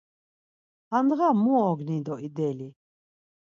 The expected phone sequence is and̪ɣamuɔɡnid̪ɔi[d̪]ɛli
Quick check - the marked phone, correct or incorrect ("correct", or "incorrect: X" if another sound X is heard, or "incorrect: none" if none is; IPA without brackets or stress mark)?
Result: correct